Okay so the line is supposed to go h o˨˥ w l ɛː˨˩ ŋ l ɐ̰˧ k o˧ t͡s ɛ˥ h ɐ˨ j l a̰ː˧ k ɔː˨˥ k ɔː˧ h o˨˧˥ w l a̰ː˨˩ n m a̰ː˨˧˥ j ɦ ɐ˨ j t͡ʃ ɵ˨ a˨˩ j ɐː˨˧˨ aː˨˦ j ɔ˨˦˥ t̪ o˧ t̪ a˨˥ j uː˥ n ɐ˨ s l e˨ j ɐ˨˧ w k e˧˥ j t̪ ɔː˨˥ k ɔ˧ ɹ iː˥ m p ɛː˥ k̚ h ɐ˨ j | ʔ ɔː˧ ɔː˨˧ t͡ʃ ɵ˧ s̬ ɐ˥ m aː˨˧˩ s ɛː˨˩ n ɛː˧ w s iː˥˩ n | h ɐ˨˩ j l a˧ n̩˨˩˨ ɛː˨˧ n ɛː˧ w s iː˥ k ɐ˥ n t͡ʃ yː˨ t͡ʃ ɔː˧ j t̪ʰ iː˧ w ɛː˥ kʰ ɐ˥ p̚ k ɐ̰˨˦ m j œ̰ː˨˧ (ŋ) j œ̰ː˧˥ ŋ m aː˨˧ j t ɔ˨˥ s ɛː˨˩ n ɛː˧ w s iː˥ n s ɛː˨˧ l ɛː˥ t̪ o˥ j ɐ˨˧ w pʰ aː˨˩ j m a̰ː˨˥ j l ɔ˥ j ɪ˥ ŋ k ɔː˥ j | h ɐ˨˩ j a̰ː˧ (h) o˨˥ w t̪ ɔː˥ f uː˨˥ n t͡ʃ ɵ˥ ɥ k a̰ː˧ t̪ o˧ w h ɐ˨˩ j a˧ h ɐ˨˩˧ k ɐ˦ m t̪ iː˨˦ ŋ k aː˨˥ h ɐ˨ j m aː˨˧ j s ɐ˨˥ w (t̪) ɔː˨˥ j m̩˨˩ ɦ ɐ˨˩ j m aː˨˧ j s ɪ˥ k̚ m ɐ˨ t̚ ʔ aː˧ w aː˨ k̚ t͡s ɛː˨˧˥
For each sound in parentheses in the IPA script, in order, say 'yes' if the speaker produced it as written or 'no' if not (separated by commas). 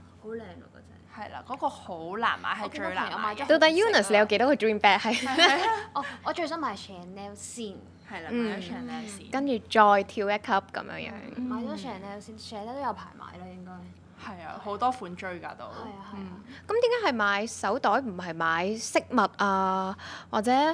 yes, yes, yes